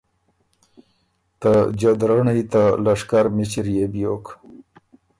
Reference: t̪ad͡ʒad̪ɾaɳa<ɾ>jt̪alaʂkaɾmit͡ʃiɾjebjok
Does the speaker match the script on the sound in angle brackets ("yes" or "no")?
no